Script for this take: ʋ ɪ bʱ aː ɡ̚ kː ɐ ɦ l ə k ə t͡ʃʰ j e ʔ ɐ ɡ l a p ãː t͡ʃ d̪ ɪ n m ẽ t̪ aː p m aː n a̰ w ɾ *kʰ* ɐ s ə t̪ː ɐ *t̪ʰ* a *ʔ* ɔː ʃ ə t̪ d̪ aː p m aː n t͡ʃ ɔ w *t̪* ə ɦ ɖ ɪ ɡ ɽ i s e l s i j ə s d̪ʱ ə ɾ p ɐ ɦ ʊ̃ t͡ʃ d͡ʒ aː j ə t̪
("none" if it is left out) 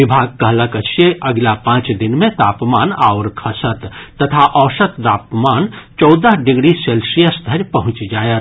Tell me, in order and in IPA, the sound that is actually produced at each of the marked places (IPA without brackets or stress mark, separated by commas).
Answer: kʰ, t̪ʰ, ʔ, d̪